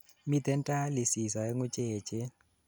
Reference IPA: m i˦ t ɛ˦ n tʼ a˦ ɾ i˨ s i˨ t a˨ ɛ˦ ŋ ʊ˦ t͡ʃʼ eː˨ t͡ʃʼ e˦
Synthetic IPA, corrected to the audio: m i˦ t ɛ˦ n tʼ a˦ l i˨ s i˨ s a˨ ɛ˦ ŋ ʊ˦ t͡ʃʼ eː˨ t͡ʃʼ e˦